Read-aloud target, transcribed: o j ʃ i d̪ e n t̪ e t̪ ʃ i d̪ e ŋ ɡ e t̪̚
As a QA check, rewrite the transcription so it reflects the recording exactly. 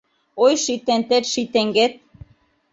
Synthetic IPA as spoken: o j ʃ i t̪ e n t̪ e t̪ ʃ i t̪ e ŋ ɡ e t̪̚